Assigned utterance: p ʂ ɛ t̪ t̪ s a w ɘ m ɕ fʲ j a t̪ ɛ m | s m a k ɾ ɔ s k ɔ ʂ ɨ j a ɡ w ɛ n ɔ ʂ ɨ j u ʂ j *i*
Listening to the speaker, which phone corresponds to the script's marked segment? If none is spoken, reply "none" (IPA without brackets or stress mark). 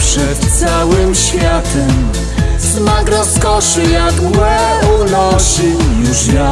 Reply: a